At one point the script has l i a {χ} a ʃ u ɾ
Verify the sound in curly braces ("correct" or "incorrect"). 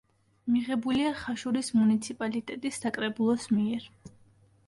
correct